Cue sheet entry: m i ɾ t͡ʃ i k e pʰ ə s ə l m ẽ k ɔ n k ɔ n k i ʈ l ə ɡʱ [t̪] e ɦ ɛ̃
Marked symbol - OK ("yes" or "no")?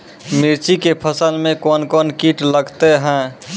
yes